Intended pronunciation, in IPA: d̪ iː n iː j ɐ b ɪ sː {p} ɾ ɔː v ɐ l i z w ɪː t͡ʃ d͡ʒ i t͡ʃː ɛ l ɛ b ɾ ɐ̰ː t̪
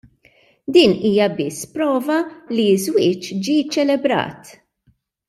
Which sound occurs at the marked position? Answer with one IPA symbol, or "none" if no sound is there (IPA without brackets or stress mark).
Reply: p